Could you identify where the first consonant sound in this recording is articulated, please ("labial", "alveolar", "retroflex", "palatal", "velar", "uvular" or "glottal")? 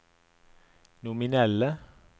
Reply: alveolar